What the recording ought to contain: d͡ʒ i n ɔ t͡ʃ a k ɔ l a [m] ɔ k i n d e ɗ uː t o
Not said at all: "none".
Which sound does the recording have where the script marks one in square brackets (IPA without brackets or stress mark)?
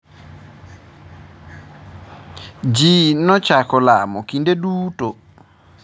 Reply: m